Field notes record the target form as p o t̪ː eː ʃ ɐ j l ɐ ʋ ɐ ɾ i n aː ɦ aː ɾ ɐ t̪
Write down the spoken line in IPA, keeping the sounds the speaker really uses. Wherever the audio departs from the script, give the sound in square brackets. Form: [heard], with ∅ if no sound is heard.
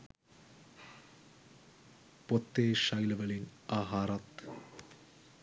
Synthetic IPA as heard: p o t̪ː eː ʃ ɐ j l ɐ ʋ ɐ [l] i n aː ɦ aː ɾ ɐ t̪